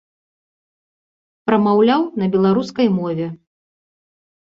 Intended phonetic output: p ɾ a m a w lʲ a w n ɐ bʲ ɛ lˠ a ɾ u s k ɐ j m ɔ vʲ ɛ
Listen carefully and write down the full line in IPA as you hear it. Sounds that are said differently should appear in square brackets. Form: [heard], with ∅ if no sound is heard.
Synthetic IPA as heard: p ɾ [ɐ] m a w lʲ a w n ɐ bʲ ɛ lˠ a ɾ u s k ɐ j m ɔ vʲ ɛ